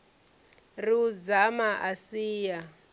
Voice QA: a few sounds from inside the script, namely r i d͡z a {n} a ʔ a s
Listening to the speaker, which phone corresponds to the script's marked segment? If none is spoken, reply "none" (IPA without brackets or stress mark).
m